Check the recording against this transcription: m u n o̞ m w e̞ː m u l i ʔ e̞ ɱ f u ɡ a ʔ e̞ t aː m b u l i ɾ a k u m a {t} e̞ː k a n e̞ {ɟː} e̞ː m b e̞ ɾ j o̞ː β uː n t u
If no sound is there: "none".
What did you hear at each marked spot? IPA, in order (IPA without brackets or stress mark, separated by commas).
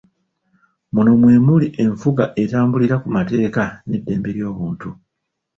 t, dː